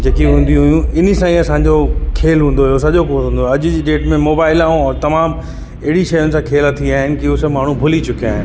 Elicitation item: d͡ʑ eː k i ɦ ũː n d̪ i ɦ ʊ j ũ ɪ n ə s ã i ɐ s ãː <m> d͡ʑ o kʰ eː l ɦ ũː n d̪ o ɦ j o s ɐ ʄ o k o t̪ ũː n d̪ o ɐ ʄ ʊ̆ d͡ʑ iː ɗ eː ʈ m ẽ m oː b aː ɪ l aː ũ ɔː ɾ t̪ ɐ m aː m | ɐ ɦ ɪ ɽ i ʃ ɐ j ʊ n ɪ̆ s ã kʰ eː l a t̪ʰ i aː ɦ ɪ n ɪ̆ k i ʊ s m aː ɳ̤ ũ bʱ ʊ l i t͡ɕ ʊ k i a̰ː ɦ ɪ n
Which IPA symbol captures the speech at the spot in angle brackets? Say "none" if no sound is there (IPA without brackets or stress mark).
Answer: ɲ